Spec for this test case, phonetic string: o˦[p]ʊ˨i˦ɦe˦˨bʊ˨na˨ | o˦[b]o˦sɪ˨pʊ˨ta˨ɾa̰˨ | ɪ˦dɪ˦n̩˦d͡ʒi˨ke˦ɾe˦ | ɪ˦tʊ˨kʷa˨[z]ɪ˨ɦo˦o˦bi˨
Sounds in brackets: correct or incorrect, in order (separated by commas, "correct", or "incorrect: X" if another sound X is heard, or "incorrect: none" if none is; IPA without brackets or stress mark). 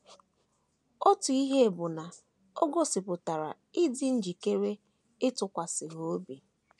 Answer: incorrect: t, incorrect: ɡ, incorrect: s